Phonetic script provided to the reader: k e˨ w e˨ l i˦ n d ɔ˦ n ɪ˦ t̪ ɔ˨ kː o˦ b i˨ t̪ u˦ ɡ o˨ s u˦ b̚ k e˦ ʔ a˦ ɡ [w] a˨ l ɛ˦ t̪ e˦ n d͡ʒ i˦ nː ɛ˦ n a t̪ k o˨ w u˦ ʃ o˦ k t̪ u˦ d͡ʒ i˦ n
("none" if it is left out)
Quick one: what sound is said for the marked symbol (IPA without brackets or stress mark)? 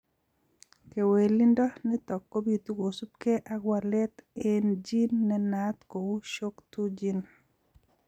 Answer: w